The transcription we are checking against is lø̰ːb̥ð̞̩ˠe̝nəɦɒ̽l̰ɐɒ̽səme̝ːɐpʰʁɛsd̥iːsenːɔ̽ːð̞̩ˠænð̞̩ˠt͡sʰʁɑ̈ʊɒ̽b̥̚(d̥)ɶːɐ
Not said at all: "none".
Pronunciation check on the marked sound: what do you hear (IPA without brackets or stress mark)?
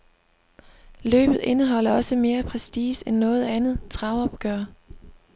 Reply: ɡ̥